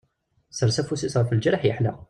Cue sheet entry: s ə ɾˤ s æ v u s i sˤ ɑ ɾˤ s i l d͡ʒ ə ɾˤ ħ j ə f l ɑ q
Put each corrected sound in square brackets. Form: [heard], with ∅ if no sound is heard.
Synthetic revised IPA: s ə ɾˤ s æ [f] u s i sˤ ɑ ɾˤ [f] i l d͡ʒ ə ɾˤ ħ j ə [ħ] l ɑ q